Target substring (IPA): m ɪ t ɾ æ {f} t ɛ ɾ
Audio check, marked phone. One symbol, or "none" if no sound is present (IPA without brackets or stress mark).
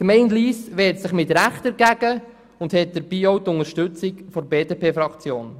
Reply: χ